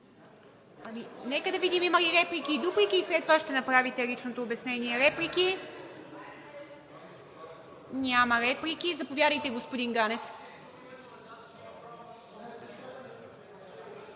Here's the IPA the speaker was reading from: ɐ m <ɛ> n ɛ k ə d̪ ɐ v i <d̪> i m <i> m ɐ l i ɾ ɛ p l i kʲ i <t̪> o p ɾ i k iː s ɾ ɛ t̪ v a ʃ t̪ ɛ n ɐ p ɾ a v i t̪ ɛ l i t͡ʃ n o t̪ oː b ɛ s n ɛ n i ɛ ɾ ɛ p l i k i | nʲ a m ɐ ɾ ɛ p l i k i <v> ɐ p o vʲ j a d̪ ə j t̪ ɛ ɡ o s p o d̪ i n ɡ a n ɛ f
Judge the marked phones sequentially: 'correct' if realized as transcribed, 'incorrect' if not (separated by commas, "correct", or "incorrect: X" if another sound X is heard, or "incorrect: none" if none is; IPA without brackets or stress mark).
incorrect: i, correct, correct, incorrect: d̪, incorrect: z